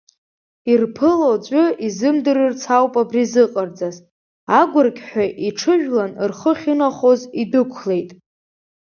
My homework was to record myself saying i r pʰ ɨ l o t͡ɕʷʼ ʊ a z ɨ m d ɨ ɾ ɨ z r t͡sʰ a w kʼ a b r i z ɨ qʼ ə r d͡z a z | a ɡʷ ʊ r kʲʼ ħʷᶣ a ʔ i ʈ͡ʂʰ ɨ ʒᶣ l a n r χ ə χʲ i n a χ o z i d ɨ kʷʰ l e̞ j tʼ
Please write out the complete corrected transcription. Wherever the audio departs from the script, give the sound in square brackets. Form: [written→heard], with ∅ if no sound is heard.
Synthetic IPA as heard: i r pʰ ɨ l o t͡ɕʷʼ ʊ [a→i] z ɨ m d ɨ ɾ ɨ [z→∅] r t͡sʰ a w [kʼ→pʼ] a b r i z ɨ qʼ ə r d͡z a z | a ɡʷ ʊ r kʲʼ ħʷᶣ a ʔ i ʈ͡ʂʰ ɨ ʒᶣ l a n r χ ə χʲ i n a χ o z i d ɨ kʷʰ l e̞ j tʼ